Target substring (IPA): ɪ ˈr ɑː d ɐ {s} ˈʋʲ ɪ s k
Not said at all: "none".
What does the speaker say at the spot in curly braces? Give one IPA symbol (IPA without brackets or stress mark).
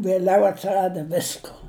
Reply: none